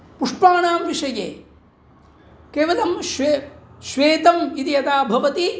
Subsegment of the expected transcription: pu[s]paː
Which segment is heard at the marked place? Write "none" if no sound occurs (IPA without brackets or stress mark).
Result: ʂ